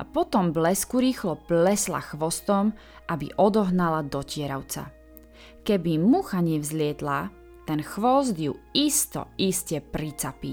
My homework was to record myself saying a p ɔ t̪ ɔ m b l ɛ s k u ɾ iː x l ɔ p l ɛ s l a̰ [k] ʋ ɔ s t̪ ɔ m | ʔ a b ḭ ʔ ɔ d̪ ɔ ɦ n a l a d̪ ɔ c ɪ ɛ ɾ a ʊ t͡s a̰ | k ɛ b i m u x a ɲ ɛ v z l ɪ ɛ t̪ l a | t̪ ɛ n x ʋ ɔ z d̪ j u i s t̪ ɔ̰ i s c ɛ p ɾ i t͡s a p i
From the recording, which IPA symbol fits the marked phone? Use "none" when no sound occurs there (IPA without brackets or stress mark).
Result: x